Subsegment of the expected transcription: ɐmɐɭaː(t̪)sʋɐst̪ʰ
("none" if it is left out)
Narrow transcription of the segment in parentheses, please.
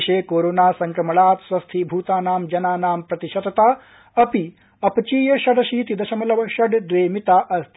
t̪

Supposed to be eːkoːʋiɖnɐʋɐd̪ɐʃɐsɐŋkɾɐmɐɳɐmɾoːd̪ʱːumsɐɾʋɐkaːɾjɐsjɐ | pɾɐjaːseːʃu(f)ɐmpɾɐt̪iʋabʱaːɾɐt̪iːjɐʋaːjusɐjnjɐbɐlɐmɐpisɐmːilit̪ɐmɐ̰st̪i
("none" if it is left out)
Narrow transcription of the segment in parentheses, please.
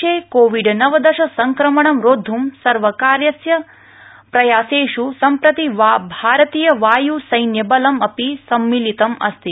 s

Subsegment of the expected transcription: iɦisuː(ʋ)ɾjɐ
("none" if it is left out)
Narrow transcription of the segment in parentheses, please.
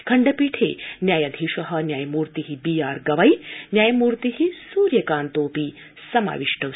none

